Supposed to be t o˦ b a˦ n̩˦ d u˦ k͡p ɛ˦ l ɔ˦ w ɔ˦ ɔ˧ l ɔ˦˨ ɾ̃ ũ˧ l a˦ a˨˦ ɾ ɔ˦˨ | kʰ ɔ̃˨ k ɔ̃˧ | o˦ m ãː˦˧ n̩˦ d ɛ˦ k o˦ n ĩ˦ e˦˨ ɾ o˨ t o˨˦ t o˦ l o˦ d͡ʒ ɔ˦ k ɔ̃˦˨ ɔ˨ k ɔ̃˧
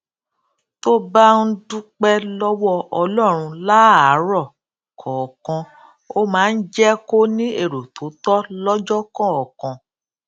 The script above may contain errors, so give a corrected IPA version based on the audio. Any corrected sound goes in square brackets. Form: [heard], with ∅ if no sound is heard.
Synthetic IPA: t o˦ b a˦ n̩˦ d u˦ k͡p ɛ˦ l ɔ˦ w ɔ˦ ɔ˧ l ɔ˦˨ ɾ̃ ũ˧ l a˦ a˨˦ ɾ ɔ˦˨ | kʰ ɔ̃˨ k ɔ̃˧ | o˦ m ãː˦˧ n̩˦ [d͡ʒ] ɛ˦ k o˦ n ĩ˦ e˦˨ ɾ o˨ t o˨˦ t [ɔ˦] l [ɔ˦] d͡ʒ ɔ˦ k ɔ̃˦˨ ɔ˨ k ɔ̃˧